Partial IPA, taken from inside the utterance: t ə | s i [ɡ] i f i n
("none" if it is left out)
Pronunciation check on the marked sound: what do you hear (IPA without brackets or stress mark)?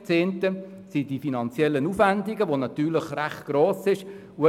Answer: d